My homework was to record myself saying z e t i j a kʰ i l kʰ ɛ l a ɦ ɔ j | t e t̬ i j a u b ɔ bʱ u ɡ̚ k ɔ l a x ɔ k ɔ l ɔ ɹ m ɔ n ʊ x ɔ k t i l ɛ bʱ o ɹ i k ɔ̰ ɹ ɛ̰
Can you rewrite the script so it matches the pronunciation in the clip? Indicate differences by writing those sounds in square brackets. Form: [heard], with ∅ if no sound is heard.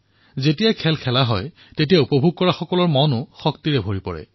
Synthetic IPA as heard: z e t i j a kʰ [ɛ] l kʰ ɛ l a ɦ ɔ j | t e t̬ i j a u [p] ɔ bʱ u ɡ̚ k ɔ [ɹ] a x ɔ k ɔ l ɔ ɹ m ɔ n ʊ x ɔ k t i [ɹ] ɛ bʱ o ɹ i [p] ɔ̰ ɹ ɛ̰